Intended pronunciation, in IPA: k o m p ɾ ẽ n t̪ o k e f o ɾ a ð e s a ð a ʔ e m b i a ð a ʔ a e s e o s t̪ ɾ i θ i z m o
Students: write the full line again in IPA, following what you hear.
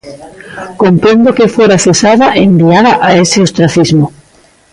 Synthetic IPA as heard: k o m p ɾ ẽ n d̪ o k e f o ɾ a θ e s a ð a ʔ e m b i a ð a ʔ a e s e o s t̪ ɾ a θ i z m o

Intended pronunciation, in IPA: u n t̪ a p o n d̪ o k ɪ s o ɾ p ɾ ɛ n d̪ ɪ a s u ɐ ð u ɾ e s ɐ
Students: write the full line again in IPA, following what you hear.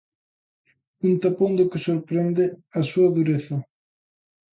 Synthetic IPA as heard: u n t̪ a p o n d̪ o k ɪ s o ɾ p ɾ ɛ n d̪ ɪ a s u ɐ ð u ɾ e θ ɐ

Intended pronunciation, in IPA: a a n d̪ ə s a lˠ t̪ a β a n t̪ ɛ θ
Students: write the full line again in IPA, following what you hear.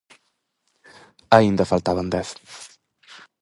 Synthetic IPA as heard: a i n d̪ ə f a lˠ t̪ a β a n d̪ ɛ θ

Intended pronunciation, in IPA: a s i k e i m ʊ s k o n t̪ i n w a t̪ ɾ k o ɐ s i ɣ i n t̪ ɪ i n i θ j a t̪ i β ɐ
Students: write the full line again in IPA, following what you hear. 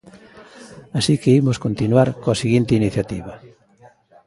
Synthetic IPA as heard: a s i k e i m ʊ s k o n t̪ i n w a ɾ k o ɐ s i ɣ i n t̪ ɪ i n i θ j a t̪ i β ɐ

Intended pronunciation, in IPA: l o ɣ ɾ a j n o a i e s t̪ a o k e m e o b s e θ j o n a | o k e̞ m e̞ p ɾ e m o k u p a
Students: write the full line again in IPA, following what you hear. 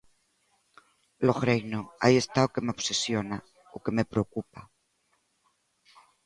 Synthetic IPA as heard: l o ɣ ɾ e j n o a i e s t̪ a o k e m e o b s e s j o n a | o k e̞ m e̞ p ɾ e o k u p a

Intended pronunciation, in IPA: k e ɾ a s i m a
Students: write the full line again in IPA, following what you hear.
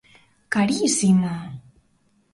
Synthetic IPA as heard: k a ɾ i s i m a

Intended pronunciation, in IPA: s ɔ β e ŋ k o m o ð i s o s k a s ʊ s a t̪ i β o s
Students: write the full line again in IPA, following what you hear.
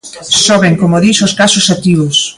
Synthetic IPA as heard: s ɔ β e ŋ k o m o ð i s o s k a s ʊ s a t̪ i β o s

